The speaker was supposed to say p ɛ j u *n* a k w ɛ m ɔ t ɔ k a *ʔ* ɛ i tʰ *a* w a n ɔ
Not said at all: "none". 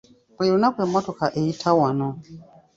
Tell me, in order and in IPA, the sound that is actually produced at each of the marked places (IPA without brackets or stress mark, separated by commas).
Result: n, ʔ, a